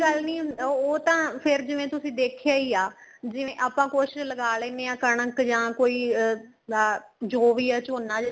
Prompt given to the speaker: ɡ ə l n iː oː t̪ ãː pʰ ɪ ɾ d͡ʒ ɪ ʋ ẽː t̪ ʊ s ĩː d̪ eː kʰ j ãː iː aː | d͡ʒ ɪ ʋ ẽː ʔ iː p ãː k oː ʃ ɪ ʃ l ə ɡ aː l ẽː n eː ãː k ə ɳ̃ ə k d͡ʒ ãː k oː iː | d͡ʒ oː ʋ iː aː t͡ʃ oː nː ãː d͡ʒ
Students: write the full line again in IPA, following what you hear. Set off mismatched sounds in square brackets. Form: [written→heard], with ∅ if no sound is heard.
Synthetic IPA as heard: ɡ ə l n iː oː t̪ ãː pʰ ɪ ɾ d͡ʒ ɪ ʋ ẽː t̪ ʊ s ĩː d̪ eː kʰ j [ãː→aː] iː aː | d͡ʒ ɪ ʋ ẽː ʔ [iː→aː] p ãː k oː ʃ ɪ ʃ l ə ɡ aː l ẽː n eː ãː k ə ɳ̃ ə k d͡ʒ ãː k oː iː | d͡ʒ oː ʋ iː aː t͡ʃ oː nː [ãː→aː] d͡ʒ